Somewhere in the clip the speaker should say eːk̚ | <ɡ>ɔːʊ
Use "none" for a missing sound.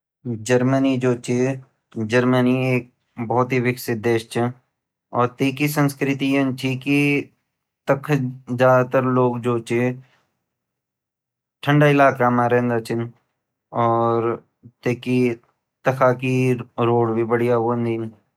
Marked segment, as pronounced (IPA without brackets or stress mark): b